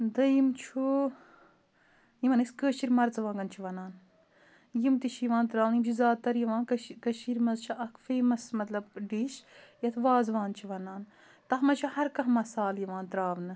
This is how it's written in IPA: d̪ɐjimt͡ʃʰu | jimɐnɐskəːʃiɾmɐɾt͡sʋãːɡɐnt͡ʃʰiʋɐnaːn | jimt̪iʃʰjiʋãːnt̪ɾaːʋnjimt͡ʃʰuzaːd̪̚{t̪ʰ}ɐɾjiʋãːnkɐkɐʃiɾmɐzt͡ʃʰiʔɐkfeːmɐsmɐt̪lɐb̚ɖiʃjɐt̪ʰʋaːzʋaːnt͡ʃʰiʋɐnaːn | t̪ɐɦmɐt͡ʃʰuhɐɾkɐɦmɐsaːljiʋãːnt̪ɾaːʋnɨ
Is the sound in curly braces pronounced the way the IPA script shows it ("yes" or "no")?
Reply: no